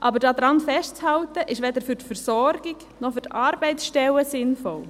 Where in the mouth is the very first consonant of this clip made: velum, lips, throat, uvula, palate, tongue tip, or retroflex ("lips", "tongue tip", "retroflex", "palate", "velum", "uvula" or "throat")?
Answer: throat